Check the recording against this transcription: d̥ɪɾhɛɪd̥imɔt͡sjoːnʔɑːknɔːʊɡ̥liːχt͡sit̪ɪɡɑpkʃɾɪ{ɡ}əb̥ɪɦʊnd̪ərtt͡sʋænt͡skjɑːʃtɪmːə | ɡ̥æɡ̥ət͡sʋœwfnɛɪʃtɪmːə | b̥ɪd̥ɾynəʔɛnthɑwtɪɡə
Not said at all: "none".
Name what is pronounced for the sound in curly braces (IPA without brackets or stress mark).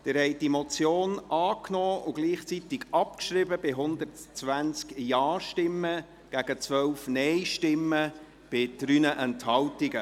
b